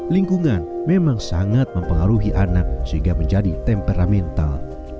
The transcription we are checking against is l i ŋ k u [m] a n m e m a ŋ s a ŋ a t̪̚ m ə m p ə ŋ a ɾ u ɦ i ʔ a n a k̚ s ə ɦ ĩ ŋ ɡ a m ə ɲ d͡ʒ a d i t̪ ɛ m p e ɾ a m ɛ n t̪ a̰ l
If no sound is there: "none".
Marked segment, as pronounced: ŋ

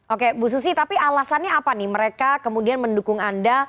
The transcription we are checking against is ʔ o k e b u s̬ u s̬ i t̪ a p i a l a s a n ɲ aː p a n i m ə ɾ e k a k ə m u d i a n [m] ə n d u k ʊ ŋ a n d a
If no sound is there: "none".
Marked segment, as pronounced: m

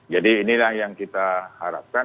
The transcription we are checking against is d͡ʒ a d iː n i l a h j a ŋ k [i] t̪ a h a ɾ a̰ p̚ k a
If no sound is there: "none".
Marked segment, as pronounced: i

